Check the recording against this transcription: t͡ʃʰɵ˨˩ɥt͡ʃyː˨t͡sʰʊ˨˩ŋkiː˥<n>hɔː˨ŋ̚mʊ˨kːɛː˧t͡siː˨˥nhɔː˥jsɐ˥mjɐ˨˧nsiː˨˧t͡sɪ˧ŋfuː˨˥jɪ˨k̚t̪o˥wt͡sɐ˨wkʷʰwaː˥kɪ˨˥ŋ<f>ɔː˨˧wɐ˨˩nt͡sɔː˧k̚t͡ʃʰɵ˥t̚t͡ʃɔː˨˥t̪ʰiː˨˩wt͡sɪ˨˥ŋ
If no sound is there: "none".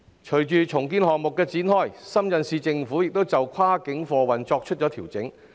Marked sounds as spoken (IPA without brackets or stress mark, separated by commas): n, f